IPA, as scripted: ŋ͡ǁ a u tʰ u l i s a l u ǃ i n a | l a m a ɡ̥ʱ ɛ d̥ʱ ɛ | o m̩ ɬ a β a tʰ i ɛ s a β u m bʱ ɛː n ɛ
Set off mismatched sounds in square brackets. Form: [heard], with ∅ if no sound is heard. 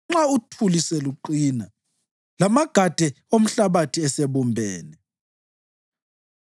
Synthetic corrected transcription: ŋ͡ǁ a u tʰ u l i s [ɛ] l u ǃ i n a | l a m a ɡ̥ʱ [a] d̥ʱ ɛ | o m̩ ɬ a β a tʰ i ɛ s [e] β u m bʱ ɛː n ɛ